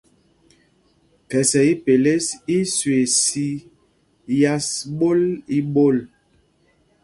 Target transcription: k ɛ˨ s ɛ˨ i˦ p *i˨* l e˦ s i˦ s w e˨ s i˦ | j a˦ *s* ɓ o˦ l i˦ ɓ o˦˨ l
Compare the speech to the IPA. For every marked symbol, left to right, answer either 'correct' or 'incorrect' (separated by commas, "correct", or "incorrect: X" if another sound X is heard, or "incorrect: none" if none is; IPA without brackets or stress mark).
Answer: incorrect: e˨, correct